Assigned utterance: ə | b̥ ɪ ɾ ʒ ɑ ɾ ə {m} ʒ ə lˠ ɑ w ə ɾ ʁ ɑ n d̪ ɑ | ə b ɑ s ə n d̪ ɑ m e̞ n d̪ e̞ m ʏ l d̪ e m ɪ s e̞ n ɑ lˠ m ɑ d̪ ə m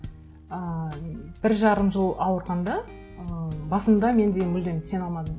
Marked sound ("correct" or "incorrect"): correct